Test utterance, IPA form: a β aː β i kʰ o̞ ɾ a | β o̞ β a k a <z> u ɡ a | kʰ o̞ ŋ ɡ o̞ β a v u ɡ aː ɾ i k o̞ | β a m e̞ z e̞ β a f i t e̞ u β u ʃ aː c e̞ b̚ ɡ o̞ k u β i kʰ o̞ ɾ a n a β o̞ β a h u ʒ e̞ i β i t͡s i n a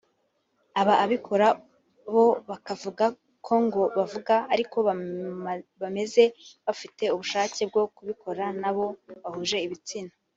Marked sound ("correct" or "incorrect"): incorrect